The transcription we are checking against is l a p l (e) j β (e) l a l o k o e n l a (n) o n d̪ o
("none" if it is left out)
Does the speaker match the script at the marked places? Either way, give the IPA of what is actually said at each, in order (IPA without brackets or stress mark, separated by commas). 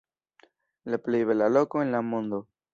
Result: e, e, m